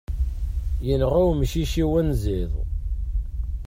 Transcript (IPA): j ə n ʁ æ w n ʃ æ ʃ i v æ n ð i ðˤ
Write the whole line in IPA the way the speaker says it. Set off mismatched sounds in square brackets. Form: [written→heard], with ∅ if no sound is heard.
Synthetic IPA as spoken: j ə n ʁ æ w [n→m] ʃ [æ→i] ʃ i [v→w] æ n [ð→z] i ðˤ